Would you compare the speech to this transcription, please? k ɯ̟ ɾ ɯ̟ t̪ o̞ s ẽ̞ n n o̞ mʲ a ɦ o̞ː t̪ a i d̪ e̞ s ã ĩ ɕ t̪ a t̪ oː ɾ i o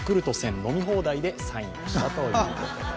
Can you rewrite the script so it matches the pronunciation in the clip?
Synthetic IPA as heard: k ɯ̟ ɾ ɯ̟ t̪ o̞ s ẽ̞ n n o̞ mʲ i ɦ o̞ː d̪ a i d̪ e̞ s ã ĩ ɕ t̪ a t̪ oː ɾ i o